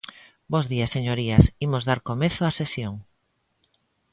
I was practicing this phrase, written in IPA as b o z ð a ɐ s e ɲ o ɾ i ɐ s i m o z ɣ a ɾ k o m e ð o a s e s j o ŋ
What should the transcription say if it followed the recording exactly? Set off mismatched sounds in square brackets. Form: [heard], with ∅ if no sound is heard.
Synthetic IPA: b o z ð [i] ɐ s e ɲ o ɾ i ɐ s i m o z [ð] a ɾ k o m e [θ] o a s e s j o ŋ